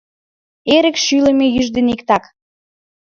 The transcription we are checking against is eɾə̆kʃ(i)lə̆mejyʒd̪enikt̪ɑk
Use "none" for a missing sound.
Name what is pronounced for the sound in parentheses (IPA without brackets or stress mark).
y